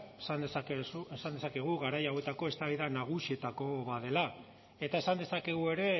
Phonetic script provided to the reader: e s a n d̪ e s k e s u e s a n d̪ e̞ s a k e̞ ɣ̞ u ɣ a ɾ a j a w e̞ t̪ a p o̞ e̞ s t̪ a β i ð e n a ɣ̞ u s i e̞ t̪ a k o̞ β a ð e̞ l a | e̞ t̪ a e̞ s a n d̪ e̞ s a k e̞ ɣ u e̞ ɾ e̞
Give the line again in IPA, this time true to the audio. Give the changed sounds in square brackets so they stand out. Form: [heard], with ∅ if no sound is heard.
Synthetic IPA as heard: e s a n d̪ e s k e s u e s a n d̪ e̞ s a k e̞ ɣ̞ u ɣ a ɾ a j a w e̞ t̪ a [k] o̞ e̞ s t̪ a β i ð [a] n a ɣ̞ u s i e̞ t̪ a k o̞ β a ð e̞ l a | e̞ t̪ a e̞ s a n d̪ e̞ s a k e̞ ɣ u e̞ ɾ e̞